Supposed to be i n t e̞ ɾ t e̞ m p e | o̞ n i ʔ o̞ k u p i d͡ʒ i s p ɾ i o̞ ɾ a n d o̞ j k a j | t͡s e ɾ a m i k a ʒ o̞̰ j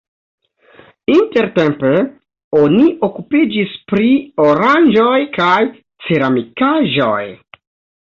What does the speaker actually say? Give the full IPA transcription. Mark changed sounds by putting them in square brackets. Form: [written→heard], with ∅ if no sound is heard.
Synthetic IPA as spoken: i n t e̞ ɾ t e̞ m p e | o̞ n i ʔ o̞ k u p i d͡ʒ i s p ɾ i o̞ ɾ a n [d→d͡ʒ] o̞ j k a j | t͡s e ɾ a m i k a ʒ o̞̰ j